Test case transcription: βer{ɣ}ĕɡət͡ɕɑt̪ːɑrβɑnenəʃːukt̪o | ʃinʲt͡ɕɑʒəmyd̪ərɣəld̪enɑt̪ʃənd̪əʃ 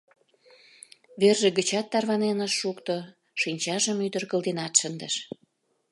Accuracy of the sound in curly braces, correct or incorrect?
incorrect: ʒ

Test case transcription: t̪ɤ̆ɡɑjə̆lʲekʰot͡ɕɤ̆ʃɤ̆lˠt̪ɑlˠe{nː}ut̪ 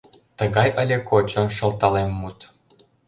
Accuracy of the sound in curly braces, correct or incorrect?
incorrect: mː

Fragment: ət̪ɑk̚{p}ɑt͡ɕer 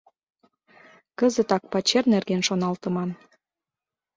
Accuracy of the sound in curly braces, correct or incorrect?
correct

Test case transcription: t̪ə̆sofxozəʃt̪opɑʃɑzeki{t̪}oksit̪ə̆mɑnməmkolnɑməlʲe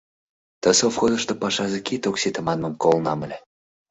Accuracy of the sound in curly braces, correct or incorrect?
correct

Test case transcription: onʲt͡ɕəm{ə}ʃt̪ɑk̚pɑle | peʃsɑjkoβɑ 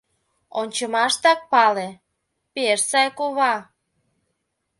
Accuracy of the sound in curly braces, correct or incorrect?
incorrect: ɑ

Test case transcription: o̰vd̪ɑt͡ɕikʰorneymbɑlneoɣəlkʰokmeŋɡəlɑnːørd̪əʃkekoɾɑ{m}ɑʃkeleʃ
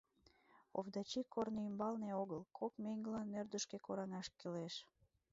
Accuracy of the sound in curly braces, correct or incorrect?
incorrect: ŋ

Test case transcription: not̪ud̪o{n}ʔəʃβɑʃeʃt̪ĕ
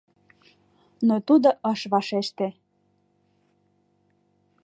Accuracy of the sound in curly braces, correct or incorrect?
incorrect: none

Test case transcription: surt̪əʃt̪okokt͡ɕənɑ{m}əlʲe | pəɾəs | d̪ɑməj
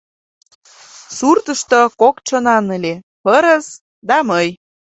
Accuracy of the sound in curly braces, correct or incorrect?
incorrect: n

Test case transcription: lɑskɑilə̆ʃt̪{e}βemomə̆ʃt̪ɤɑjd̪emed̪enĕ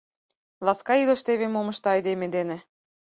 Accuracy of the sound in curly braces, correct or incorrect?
correct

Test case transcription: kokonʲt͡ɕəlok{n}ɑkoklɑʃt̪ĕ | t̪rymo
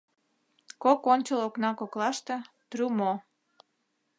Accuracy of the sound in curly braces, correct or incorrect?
correct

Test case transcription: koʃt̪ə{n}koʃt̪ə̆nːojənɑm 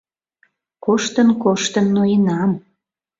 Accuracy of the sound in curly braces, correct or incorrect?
correct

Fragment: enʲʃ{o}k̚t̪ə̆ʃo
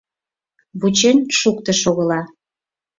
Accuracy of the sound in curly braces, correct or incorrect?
incorrect: u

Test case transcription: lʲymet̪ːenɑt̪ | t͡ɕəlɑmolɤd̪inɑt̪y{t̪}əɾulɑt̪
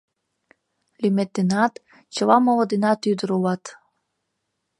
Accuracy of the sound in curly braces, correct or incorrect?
incorrect: d̪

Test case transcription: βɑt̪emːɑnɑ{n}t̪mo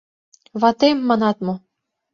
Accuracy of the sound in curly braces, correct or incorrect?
incorrect: none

